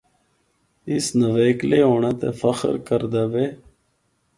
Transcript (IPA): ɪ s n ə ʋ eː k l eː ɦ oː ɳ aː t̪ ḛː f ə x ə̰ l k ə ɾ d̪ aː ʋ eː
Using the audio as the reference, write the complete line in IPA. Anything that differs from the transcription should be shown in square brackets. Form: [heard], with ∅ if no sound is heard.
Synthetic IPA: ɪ s n ə ʋ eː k l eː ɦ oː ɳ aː t̪ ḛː f ə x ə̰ [ɾ] k ə ɾ d̪ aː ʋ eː